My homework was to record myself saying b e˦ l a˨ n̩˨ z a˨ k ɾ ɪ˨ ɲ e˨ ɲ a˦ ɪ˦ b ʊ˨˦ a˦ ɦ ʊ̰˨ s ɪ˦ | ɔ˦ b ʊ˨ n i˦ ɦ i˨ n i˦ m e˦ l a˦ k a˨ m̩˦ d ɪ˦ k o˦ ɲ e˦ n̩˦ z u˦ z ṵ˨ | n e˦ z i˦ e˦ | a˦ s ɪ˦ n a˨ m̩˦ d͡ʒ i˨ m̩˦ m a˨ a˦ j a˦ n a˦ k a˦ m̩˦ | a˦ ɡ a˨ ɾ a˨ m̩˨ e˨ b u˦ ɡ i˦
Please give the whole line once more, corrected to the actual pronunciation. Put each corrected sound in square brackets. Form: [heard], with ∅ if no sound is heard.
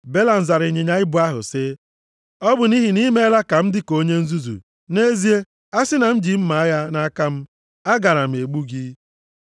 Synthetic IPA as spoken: b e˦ l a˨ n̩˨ z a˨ [∅] ɾ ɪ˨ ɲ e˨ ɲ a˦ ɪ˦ b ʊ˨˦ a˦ ɦ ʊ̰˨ s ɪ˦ | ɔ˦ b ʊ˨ n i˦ ɦ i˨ n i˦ m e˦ l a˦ k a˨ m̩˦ d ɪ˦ k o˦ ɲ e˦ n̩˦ z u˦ z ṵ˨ | n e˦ z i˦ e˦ | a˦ s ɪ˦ n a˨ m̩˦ d͡ʒ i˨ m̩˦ m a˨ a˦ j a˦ n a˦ k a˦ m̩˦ | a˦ ɡ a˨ ɾ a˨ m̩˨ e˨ [ɡ͡b] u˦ ɡ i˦